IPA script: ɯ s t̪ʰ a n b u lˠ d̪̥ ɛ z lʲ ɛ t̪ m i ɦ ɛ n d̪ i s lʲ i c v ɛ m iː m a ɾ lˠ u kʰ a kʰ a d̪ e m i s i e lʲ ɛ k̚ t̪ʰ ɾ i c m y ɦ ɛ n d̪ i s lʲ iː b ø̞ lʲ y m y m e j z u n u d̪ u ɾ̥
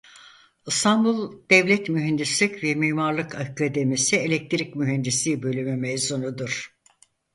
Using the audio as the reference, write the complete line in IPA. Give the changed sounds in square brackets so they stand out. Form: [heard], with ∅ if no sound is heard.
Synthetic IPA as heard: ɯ s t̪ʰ a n b u lˠ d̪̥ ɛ [v] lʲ ɛ t̪ m [y] ɦ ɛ n d̪ i s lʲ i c v ɛ m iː m a ɾ lˠ [ɯ] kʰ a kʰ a d̪ e m i s i e lʲ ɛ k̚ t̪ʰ ɾ i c m y ɦ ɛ n d̪ i s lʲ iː b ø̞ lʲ y m y m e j z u n u d̪ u ɾ̥